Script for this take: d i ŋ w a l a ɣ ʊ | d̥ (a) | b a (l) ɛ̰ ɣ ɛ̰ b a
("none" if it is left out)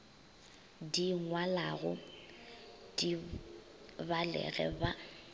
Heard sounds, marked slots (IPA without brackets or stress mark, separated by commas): i, l